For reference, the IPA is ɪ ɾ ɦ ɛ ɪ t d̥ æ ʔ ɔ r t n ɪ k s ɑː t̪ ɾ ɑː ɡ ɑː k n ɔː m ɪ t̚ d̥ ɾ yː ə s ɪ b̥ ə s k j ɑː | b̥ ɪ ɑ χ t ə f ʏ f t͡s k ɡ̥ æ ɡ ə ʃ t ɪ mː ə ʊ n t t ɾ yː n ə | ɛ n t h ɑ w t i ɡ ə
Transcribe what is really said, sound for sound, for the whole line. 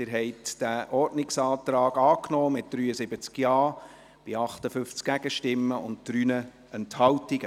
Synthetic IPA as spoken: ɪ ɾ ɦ ɛ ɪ t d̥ æ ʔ ɔ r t n ɪ k s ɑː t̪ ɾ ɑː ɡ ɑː k n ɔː m ɪ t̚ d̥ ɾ yː ə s ɪ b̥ ə t͡s k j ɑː | b̥ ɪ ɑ χ t ə f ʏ f t͡s k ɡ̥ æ ɡ ə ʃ t ɪ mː ə ʊ n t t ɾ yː n ə | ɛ n t h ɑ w t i ɡ ə